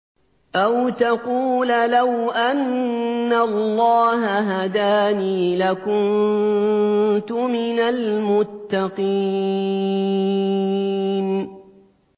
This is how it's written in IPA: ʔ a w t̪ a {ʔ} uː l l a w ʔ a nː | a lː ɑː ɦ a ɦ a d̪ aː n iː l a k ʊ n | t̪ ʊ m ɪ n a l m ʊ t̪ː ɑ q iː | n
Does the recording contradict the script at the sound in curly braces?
yes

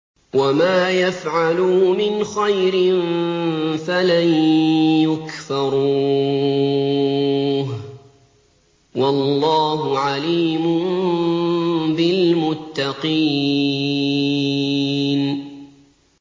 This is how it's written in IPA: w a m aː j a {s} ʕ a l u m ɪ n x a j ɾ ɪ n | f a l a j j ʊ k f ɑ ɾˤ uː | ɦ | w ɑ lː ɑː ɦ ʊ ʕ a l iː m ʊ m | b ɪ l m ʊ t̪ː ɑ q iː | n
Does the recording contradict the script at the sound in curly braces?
yes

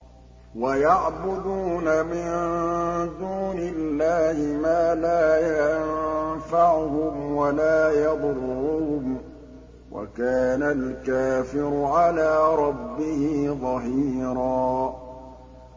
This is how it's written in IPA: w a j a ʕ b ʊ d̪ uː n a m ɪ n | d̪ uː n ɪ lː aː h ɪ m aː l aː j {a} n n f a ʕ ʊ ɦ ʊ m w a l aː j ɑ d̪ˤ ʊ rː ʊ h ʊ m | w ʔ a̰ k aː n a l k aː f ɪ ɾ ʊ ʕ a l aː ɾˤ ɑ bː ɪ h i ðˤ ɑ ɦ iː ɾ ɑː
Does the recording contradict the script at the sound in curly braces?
no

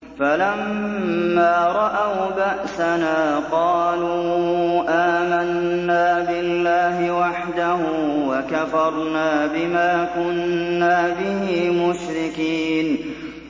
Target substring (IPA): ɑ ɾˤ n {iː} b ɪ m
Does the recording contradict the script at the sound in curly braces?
yes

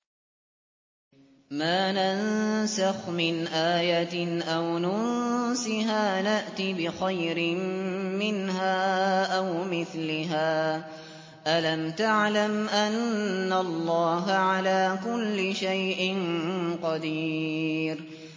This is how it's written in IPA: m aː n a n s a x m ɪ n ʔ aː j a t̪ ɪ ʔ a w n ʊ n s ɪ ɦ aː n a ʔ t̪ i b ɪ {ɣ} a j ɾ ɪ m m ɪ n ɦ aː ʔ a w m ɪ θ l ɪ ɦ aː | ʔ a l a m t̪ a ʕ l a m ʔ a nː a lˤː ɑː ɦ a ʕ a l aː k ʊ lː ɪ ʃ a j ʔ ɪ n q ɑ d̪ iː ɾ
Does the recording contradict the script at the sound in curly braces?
yes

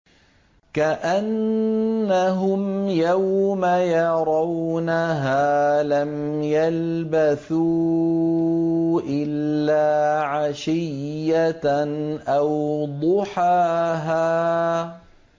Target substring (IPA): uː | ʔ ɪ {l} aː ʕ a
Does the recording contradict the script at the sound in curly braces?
yes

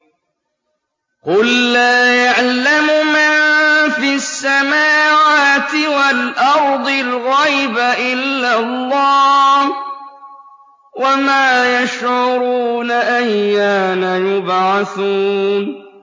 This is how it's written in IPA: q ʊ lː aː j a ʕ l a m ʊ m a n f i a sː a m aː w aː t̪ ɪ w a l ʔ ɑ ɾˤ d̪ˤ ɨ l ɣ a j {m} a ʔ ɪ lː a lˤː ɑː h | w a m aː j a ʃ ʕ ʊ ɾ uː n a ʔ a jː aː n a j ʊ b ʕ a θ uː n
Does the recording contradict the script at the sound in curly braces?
yes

